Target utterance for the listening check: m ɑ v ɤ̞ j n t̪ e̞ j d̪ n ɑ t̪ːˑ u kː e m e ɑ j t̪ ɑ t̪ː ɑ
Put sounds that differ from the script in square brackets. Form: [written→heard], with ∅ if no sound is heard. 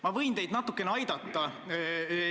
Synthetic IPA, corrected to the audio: m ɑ v ɤ̞ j n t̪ e̞ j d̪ n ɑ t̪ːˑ u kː e [m→n] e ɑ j [t̪→d̪] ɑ t̪ː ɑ